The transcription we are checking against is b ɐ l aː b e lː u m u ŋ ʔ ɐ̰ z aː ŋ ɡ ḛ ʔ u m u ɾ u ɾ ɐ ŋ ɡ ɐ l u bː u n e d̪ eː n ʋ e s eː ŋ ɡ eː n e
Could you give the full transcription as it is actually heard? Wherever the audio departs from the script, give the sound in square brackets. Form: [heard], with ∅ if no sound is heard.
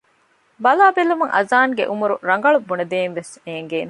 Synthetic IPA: b ɐ l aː b e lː u m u ŋ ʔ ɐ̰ z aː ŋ ɡ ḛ ʔ u m u ɾ u ɾ ɐ ŋ ɡ ɐ [ɭ] u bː u n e d̪ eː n ʋ e s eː ŋ ɡ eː n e